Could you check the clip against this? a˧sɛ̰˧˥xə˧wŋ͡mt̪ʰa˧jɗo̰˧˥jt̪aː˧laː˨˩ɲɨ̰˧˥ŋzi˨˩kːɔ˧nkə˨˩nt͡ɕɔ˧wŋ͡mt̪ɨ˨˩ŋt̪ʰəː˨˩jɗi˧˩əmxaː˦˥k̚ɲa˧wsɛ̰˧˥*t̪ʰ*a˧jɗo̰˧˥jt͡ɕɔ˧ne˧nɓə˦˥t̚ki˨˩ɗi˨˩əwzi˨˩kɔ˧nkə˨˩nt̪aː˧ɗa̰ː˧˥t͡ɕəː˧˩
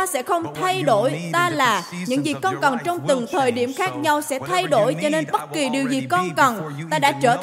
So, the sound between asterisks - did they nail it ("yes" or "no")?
yes